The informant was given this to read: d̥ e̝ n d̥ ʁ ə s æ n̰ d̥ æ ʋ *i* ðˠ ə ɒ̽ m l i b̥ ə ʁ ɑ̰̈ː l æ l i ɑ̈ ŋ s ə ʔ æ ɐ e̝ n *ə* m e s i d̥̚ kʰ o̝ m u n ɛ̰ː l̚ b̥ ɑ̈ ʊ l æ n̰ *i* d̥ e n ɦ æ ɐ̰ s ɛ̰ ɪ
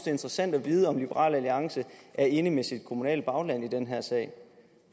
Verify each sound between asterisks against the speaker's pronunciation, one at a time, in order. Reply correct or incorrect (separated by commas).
incorrect, correct, correct